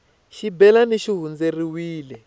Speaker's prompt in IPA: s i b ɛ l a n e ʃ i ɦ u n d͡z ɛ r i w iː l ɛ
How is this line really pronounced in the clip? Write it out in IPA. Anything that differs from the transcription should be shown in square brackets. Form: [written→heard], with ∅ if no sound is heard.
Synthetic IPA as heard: [s→ʃ] i b ɛ l a n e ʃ i ɦ u n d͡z [ɛ→e] r i w iː l ɛ